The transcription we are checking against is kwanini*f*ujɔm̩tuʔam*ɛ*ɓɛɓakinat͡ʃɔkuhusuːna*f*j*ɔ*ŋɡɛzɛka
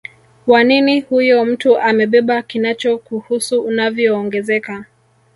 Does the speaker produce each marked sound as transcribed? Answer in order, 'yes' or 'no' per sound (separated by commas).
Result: no, yes, no, no